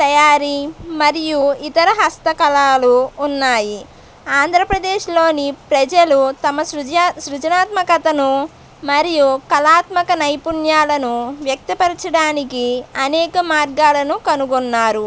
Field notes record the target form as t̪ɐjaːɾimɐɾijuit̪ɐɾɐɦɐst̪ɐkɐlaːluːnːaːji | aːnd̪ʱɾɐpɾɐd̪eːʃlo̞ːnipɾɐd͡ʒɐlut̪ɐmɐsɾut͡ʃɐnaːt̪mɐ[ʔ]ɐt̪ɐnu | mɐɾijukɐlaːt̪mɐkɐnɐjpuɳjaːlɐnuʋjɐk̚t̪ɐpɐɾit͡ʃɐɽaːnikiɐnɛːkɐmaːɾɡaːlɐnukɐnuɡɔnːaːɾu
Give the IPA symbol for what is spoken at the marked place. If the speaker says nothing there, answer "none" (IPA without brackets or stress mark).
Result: k